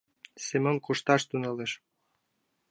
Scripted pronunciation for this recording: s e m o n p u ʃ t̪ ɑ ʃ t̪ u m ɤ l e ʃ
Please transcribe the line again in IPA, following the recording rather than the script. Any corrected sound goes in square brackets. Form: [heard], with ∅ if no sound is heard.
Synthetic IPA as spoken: s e m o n [k] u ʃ t̪ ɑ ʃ t̪ u [n] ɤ l e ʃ